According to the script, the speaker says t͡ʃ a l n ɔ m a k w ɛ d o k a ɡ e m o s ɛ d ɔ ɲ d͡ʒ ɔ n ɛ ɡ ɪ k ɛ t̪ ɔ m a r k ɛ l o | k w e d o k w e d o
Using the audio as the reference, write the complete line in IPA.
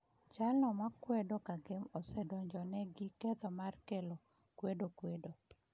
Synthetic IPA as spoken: t͡ʃ a l n ɔ m a k w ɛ d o k a ɡ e m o s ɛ d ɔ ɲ d͡ʒ ɔ n ɛ ɡ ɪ k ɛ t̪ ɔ m a r k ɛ l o | k w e d o k w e d o